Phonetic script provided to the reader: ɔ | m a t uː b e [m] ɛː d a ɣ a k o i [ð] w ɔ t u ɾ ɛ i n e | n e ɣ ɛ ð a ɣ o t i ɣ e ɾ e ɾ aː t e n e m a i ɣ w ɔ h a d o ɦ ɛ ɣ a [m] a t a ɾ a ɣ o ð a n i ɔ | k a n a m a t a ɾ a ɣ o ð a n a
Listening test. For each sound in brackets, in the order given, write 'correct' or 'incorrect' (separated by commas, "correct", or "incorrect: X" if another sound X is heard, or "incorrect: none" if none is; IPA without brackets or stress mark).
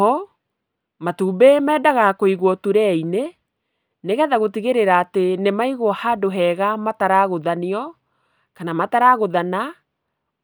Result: correct, incorrect: ɣ, correct